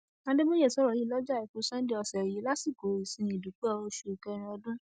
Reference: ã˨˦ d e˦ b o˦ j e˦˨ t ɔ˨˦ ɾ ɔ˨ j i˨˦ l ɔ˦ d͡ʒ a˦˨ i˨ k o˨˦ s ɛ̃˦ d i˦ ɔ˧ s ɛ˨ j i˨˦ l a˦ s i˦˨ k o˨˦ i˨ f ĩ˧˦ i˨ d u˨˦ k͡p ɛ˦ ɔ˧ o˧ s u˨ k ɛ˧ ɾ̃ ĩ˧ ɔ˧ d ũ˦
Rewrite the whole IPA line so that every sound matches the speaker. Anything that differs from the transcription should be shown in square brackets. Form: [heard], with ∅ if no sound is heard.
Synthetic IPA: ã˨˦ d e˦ [m] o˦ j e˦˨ [s] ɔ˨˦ ɾ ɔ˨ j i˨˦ l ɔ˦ d͡ʒ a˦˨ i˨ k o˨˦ s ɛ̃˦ d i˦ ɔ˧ s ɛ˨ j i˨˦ l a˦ s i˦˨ k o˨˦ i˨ [s] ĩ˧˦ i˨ d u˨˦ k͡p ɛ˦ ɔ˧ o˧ [ʃ] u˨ k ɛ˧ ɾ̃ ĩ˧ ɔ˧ d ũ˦